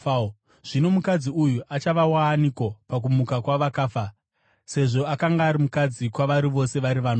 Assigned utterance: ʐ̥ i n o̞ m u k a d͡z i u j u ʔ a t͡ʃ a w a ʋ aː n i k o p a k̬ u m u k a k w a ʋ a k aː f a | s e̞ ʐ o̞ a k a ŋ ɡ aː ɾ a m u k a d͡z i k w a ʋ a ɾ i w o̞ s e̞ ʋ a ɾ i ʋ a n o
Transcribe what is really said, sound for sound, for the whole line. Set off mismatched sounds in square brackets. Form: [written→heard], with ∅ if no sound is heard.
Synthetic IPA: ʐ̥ i n o̞ m u k a d͡z i u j u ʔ a t͡ʃ a [w→ʋ] a [ʋ→w] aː n i k o p a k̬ u m u k a k w a ʋ a k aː f a | s e̞ ʐ o̞ a k a ŋ ɡ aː ɾ [a→i] m u k a d͡z i k w a ʋ a ɾ i [w→ʋ] o̞ s e̞ ʋ a ɾ i ʋ a n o

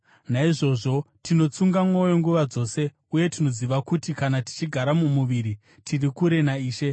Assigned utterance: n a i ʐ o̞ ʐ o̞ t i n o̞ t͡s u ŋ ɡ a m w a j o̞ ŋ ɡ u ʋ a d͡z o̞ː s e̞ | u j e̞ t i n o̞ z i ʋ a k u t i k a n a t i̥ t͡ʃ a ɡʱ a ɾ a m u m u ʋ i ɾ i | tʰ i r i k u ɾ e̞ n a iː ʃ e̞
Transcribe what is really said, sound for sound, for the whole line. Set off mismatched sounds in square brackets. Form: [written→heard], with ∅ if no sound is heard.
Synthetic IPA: n a i ʐ o̞ ʐ o̞ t i n o̞ t͡s u ŋ ɡ a m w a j o̞ ŋ ɡ u ʋ a d͡z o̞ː s e̞ | u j e̞ t i n o̞ z i ʋ a k u t i k a n a t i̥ t͡ʃ [a→i] ɡʱ a ɾ a m u m u ʋ i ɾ i | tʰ i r i k u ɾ e̞ n a iː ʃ e̞

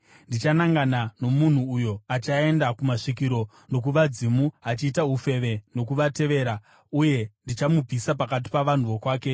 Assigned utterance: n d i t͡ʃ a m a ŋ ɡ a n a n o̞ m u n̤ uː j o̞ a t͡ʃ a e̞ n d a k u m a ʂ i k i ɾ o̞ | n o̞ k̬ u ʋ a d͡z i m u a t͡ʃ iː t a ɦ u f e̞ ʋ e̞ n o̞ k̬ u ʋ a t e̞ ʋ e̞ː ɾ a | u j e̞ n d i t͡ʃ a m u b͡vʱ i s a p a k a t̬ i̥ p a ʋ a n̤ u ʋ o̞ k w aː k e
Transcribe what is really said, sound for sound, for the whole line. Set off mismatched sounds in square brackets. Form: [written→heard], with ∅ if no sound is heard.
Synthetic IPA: n d i t͡ʃ a [m→n] a ŋ ɡ a n a n o̞ m u n̤ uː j o̞ a t͡ʃ a e̞ n d a k u m a ʂ i k i ɾ o̞ | n o̞ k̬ u ʋ a d͡z i m u a t͡ʃ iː t a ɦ u f e̞ ʋ e̞ n o̞ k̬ u ʋ a t e̞ ʋ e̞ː ɾ a | u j e̞ n d i t͡ʃ a m u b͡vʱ i s a p a k a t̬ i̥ p a ʋ a n̤ u ʋ o̞ k w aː k e

